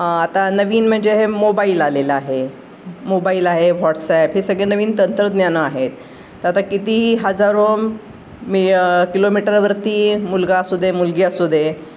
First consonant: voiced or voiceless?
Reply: voiceless